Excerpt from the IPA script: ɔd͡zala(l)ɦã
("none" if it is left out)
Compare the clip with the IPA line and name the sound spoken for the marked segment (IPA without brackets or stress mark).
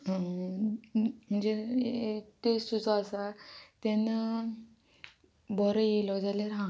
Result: ɾ